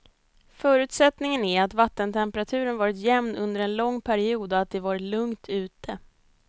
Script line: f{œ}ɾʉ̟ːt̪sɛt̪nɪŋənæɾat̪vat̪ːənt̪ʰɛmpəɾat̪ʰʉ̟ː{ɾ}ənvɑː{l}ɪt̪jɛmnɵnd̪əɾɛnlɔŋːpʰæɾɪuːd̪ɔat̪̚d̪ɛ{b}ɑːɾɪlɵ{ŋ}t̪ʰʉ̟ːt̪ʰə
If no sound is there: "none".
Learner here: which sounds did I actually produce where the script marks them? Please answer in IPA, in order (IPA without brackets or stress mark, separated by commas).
œː, ɾ, ɾ, v, ŋ